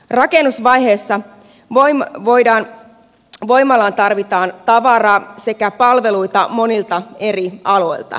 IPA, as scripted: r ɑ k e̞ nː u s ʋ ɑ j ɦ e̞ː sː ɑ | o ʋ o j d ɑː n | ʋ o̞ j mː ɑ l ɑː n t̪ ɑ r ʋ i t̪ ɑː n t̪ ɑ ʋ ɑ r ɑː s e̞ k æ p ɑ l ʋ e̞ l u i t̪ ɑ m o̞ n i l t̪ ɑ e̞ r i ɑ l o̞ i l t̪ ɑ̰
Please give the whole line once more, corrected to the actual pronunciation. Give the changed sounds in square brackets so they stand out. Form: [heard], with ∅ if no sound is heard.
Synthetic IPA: r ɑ k e̞ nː u s ʋ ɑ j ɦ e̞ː sː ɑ | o ʋ o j d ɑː n | ʋ o̞ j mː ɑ l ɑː n t̪ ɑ r ʋ i t̪ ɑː n t̪ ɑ ʋ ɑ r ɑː s e̞ k æ p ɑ l ʋ e̞ l u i t̪ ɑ m o̞ n i l t̪ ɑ e̞ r i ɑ l o̞ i l t̪ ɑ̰